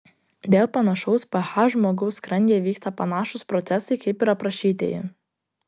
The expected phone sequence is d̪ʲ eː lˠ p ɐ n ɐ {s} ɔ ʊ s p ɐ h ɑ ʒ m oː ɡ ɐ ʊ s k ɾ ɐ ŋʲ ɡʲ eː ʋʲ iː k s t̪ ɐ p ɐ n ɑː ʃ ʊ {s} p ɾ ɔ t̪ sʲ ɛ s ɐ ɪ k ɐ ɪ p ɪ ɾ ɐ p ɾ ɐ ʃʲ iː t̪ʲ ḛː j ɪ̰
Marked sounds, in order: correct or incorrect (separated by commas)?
incorrect, correct